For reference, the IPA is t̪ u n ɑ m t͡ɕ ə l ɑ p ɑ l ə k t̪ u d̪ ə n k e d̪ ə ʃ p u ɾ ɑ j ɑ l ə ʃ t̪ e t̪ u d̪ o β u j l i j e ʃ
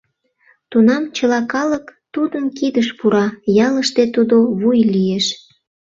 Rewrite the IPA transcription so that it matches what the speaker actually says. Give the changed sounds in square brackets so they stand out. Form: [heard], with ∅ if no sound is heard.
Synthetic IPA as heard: t̪ u n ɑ m t͡ɕ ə l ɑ [k] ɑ l ə k t̪ u d̪ ə n k [i] d̪ ə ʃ p u ɾ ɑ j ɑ l ə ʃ t̪ e t̪ u d̪ o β u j l i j e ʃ